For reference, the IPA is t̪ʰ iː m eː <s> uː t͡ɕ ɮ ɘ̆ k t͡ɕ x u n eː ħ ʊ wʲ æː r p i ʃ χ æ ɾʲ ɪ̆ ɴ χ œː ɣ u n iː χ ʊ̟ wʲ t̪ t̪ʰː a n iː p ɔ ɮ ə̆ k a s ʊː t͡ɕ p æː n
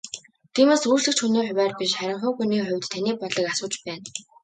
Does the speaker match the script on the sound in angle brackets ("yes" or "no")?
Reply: yes